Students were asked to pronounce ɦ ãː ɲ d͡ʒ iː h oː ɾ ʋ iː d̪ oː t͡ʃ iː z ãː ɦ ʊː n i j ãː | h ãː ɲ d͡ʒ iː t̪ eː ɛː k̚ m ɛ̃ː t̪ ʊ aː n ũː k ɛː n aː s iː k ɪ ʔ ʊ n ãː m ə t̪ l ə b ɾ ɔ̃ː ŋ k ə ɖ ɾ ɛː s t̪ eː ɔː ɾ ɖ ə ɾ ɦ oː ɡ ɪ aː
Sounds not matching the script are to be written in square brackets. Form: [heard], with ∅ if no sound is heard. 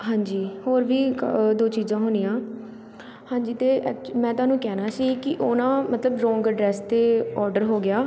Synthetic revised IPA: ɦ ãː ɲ d͡ʒ iː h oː ɾ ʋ iː d̪ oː t͡ʃ iː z ãː ɦ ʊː n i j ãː | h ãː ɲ d͡ʒ iː t̪ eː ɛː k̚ m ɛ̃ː t̪ ʊ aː n ũː k ɛː n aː s iː k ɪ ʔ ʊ n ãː m ə t̪ l ə b ɾ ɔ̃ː ŋ [ɡ] ə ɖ ɾ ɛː s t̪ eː ɔː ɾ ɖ ə ɾ ɦ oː ɡ ɪ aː